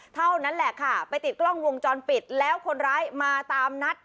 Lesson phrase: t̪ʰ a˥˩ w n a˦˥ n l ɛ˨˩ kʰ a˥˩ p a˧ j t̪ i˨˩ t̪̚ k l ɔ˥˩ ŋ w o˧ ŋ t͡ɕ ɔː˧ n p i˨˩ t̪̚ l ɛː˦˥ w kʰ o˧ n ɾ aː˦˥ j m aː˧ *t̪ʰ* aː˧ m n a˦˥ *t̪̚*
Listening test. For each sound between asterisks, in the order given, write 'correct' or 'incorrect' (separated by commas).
incorrect, correct